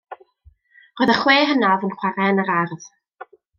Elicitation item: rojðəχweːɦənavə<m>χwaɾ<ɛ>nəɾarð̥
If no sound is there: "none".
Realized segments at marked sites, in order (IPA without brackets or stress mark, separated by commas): n, ɛ